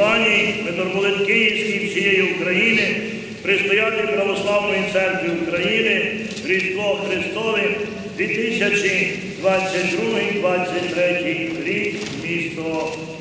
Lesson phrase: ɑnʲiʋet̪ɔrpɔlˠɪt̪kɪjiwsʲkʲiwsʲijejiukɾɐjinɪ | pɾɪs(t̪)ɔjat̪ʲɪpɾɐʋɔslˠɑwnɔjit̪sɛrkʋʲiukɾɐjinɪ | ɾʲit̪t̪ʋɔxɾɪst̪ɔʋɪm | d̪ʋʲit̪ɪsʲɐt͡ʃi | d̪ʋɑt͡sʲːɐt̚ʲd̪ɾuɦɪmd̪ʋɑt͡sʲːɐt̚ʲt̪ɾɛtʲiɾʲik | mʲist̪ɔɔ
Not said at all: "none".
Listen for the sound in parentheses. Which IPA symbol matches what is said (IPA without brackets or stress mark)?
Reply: t̪